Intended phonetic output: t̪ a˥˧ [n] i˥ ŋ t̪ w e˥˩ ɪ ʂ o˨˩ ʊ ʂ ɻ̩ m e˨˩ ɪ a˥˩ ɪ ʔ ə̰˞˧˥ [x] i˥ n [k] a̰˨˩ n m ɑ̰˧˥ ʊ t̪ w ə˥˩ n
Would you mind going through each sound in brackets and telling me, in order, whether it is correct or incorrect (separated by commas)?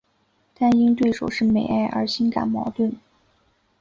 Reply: correct, incorrect, correct